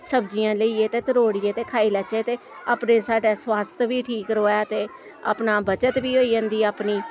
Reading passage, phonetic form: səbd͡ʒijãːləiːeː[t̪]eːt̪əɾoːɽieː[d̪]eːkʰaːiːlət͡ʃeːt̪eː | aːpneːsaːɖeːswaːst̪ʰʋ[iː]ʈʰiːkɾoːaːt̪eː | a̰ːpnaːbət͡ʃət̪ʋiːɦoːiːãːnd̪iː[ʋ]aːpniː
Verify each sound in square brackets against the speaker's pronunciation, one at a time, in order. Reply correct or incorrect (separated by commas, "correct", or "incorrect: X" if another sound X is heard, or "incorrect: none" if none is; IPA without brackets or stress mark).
correct, incorrect: t̪, correct, incorrect: none